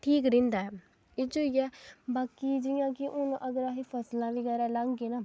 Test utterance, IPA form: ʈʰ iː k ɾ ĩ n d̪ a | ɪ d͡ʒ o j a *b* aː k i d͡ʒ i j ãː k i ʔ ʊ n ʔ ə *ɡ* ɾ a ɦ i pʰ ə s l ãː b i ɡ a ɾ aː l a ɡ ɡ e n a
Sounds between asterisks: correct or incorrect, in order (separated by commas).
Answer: correct, correct